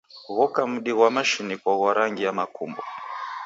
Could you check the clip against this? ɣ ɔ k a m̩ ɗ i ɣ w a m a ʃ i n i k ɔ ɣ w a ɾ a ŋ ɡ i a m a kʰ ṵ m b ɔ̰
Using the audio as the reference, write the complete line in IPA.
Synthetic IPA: ɣ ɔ k a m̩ ɗ i ɣ w a m a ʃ i n i k ɔ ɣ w a ɾ a ŋ ɡ i a m a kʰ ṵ m b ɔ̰